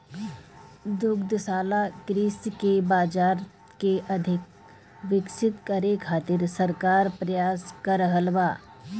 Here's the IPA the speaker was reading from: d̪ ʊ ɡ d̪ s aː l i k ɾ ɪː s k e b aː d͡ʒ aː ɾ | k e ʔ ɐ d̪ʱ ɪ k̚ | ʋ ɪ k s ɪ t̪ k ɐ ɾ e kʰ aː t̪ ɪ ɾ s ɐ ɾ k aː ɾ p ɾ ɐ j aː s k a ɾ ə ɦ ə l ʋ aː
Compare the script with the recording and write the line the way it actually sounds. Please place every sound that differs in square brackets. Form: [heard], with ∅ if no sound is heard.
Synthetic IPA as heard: d̪ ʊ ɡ d̪ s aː l [a] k ɾ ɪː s k e b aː d͡ʒ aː ɾ | k e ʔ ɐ d̪ʱ ɪ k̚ | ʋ ɪ k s ɪ t̪ k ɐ ɾ e kʰ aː t̪ ɪ ɾ s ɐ ɾ k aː ɾ p ɾ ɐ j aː s k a ɾ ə ɦ ə l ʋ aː